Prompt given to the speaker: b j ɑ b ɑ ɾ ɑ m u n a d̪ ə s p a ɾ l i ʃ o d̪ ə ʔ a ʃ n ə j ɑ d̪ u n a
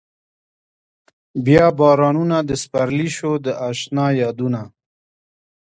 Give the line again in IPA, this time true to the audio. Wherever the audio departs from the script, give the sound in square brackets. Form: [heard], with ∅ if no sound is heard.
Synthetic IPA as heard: b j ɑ b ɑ ɾ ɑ [n] u n a d̪ ə s p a ɾ l i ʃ o d̪ ə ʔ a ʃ n [ɑ] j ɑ d̪ u n a